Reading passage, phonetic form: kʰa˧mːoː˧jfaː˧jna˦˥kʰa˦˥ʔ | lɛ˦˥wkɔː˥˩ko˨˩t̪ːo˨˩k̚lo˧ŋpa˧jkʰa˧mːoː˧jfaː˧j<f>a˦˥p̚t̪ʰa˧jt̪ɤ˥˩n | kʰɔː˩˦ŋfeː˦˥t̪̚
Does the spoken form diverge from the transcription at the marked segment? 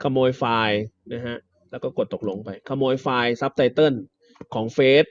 yes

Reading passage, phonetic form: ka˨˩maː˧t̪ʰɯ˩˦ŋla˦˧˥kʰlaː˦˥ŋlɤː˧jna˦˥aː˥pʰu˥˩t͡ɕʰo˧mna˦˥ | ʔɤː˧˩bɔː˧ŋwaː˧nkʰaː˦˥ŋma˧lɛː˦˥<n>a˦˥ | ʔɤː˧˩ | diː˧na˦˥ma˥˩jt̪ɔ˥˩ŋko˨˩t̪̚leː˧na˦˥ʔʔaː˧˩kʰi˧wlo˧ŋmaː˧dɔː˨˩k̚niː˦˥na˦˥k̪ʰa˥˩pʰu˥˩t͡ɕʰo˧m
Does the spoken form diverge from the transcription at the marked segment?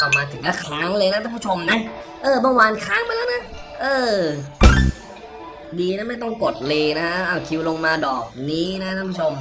no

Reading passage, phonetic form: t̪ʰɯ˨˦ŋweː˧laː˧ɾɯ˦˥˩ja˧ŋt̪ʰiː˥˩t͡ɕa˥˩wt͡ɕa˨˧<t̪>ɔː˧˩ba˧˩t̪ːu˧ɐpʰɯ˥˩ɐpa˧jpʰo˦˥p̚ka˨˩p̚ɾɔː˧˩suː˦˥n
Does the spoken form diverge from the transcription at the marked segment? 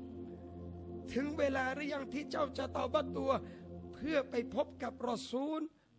no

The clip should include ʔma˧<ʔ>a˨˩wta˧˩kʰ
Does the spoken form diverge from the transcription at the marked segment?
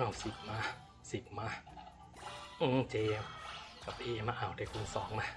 no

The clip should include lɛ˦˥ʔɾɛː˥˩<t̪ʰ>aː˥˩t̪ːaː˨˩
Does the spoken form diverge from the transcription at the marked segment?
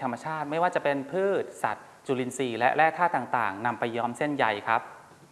no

